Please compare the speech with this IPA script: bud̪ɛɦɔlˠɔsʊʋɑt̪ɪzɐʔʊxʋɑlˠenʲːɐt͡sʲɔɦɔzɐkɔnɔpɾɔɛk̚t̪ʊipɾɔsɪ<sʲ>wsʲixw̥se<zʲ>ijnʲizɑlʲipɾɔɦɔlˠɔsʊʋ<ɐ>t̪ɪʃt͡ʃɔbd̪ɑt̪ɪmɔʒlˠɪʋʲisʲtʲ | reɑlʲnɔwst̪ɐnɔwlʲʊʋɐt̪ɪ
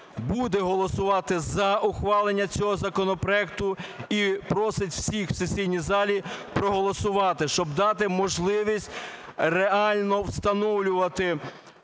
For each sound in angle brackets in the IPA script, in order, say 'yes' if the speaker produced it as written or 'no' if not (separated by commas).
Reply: no, no, no